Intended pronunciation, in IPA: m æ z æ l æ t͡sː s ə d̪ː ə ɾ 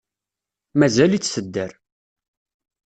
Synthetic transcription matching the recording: m æ z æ l i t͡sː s ə d̪ː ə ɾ